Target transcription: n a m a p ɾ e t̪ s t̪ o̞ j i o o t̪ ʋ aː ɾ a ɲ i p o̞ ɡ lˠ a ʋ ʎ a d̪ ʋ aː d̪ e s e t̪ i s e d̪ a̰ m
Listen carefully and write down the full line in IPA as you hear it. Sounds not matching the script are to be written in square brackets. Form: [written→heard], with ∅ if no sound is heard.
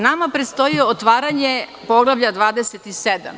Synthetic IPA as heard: n a m a p ɾ e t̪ s t̪ o̞ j i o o t̪ ʋ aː ɾ a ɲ [i→e] p o̞ ɡ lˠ a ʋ ʎ a d̪ ʋ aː d̪ e s e t̪ i s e d̪ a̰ m